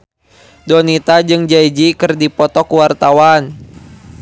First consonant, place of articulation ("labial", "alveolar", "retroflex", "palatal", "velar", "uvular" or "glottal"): alveolar